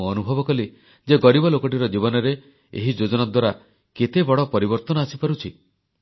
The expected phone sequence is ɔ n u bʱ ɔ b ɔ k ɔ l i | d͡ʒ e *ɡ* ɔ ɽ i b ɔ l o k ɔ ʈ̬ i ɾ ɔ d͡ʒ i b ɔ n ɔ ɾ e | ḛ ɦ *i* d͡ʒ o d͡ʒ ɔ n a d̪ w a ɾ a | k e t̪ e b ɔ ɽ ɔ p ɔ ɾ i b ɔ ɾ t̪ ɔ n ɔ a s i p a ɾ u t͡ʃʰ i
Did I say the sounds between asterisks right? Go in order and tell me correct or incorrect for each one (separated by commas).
correct, correct